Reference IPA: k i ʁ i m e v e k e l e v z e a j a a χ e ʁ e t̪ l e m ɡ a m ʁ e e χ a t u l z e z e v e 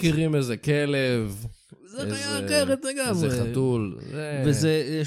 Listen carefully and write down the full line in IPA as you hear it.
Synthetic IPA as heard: k i ʁ i m e z e k e l e v z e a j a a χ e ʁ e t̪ l e ɡ a m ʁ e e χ a t u l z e v e z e